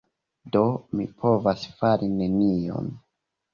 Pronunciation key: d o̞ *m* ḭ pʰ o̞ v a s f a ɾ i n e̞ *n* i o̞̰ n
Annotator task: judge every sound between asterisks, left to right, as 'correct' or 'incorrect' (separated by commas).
correct, correct